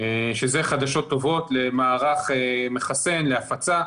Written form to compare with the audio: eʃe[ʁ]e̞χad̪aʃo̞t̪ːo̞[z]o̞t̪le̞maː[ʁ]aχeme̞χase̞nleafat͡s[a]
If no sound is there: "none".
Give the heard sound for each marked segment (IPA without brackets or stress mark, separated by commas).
z, v, ʁ, a